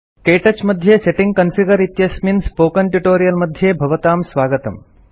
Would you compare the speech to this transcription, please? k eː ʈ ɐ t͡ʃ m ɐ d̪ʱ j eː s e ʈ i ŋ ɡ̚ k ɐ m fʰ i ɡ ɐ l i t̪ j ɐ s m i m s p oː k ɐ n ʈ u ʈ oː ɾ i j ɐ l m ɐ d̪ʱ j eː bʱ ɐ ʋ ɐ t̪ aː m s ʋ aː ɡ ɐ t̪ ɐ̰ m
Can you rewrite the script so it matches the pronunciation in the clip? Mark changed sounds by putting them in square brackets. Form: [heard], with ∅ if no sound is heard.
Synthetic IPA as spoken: k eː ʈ ɐ t͡ʃ m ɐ d̪ʱ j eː s e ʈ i ŋ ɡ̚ k ɐ [n] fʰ i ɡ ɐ [ɾ] i t̪ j ɐ s m i [n] s p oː k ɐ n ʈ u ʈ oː ɾ i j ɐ l m ɐ d̪ʱ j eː bʱ ɐ ʋ ɐ t̪ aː m s ʋ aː ɡ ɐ t̪ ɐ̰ m